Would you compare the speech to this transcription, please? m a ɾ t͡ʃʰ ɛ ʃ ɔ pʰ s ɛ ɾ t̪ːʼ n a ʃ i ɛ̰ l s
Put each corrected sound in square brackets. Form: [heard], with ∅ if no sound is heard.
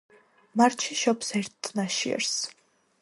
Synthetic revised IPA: m a ɾ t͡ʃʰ [i] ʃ ɔ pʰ s ɛ ɾ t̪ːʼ n a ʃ i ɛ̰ [ɾ] s